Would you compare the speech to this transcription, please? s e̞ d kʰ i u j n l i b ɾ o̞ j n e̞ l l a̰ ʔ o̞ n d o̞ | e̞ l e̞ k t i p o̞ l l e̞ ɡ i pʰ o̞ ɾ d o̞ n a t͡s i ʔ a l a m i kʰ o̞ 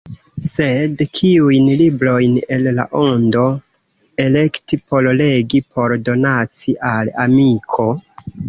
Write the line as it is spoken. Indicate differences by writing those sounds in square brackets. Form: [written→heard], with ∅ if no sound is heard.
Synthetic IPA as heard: s e̞ d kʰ i u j n l i b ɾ o̞ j n e̞ l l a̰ ʔ o̞ n d o̞ | e̞ l e̞ k t i p o̞ l l e̞ ɡ i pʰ o̞ ɾ d o̞ n a t͡s i ʔ a l a m i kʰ o̞